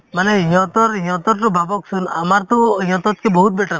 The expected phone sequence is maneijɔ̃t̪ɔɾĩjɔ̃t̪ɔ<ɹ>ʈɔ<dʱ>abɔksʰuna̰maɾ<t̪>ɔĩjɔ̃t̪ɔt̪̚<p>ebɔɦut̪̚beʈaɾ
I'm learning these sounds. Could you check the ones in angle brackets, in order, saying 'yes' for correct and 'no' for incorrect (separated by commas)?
no, no, yes, no